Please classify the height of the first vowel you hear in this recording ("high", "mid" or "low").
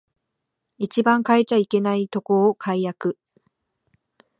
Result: high